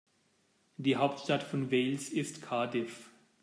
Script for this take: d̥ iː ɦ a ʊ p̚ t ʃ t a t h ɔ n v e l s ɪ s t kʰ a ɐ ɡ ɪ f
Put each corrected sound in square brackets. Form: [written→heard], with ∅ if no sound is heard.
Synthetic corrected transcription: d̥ iː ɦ a ʊ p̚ t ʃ t a t [h→f] ɔ n v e l s ɪ s t kʰ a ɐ [ɡ→d] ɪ f